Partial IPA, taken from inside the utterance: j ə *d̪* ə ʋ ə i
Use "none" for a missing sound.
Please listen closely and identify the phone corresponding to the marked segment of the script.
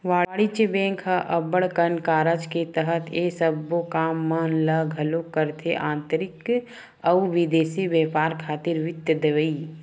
d̪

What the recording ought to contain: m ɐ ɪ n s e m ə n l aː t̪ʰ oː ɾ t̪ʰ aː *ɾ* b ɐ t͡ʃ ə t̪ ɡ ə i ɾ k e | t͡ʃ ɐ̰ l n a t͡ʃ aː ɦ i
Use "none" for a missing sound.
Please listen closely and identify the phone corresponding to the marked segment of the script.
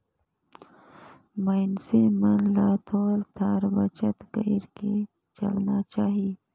ɾ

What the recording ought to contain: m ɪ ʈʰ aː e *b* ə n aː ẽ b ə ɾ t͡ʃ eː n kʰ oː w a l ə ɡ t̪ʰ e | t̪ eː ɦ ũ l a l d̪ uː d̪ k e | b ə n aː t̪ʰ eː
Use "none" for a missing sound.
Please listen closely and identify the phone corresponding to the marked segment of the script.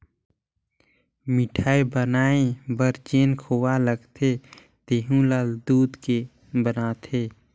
b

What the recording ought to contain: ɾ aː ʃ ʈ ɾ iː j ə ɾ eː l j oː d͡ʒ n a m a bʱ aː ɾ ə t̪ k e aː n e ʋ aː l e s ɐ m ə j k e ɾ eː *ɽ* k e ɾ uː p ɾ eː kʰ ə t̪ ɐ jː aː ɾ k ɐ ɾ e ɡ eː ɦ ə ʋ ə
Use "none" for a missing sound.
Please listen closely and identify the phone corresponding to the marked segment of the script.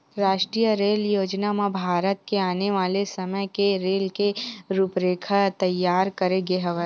l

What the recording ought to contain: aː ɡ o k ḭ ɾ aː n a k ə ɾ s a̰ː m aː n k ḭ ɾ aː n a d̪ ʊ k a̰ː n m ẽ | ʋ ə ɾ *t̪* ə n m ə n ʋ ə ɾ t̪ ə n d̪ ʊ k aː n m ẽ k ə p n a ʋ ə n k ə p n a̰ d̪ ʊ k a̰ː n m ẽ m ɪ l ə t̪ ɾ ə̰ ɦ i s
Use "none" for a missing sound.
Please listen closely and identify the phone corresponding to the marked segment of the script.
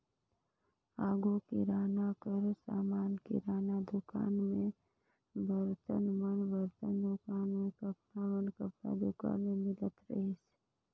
t̪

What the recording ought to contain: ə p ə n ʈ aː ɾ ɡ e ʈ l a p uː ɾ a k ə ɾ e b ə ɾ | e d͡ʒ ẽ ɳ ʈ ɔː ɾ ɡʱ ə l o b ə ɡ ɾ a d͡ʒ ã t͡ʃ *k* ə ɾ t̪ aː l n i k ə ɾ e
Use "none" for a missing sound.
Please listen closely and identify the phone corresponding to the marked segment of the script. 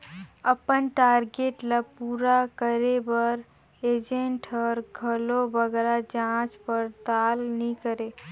p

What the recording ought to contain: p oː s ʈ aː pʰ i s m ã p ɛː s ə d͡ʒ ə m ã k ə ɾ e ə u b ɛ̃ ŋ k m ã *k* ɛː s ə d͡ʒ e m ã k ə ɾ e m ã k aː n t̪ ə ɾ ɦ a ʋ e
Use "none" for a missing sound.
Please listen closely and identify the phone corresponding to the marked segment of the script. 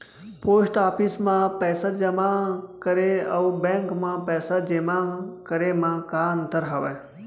p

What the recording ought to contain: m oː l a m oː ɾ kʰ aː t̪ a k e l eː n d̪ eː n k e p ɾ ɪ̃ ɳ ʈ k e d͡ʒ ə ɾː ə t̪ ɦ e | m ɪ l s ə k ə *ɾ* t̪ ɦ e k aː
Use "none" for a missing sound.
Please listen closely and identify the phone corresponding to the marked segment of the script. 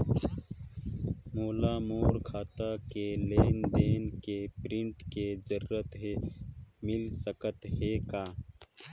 none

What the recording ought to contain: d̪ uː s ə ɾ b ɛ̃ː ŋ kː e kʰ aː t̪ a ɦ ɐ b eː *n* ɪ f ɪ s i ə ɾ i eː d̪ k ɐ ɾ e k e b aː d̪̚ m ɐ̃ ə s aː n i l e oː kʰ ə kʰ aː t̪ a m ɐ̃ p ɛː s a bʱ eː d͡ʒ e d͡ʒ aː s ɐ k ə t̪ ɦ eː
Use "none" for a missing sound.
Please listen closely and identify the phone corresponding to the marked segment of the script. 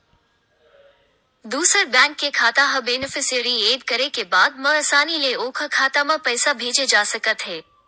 n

